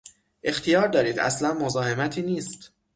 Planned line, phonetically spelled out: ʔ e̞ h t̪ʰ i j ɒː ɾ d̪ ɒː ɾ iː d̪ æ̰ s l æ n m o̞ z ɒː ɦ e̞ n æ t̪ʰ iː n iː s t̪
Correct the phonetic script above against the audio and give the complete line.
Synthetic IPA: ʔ e̞ x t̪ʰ i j ɒː ɾ d̪ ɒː ɾ iː d̪ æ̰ s l æ n m o̞ z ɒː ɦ e̞ m æ t̪ʰ iː n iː s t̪